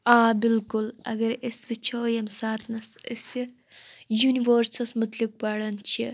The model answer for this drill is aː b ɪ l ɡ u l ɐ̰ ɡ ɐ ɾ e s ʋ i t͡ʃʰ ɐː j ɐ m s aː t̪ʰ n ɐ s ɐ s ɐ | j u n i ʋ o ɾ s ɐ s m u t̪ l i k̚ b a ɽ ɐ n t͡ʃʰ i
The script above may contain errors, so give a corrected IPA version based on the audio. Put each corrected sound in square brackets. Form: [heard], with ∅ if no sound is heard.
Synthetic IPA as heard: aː b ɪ l [k] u l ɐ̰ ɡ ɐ ɾ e s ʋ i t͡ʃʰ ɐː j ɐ m s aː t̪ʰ n ɐ s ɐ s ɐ | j u n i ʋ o ɾ s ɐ s m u t̪ l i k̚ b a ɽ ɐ n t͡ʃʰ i